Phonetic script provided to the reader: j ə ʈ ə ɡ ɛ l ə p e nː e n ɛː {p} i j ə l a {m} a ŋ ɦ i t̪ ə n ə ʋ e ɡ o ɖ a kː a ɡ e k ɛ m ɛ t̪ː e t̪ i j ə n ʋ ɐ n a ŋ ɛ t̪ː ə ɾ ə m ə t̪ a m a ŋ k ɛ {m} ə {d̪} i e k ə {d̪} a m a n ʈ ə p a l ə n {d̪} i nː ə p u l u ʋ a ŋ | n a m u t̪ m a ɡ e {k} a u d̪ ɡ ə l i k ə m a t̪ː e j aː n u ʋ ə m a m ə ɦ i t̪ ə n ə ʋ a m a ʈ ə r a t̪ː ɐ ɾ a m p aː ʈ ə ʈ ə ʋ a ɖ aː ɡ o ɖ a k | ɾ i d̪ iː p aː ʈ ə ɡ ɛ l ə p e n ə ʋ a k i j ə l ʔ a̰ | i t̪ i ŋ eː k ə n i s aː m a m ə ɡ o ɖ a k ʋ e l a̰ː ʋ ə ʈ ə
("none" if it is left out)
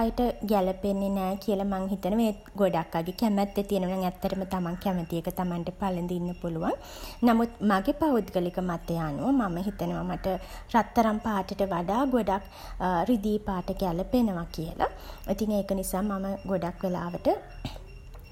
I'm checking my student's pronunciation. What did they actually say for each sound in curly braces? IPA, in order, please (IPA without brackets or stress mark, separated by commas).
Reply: k, m, m, t̪, t̪, d̪, p